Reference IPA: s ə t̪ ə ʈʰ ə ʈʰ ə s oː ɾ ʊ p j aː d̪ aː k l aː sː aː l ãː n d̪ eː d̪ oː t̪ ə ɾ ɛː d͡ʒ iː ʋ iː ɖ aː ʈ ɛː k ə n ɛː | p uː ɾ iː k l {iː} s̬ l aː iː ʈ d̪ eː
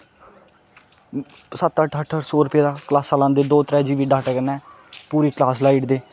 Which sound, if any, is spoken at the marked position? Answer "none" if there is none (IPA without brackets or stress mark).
aː